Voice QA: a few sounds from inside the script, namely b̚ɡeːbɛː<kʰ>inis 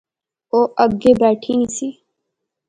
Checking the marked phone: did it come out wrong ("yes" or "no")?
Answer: yes